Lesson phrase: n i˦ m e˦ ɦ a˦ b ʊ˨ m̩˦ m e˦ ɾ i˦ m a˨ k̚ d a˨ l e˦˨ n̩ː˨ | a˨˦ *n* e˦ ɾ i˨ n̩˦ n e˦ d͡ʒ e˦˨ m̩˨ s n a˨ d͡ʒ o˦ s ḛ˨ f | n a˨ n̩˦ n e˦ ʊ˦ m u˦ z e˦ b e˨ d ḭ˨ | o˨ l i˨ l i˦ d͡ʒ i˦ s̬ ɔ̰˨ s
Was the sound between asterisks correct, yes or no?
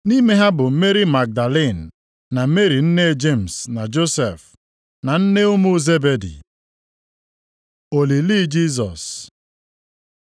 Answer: no